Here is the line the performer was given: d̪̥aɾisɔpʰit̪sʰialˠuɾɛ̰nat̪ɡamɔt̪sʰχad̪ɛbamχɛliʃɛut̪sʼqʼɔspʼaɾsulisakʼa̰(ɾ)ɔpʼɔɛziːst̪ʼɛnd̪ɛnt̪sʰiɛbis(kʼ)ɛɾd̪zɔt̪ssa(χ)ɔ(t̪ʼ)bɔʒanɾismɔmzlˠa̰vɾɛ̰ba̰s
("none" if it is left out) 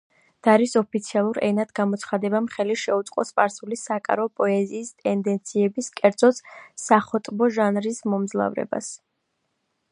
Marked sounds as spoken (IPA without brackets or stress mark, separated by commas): ɾ, kʼ, χ, t̪ʼ